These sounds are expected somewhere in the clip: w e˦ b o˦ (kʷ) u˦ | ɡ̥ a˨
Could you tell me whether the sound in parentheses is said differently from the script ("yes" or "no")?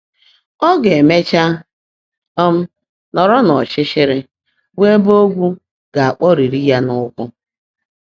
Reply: yes